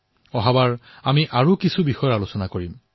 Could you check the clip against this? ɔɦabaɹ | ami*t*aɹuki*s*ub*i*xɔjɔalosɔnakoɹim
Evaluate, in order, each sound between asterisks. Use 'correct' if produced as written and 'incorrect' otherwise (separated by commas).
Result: incorrect, correct, correct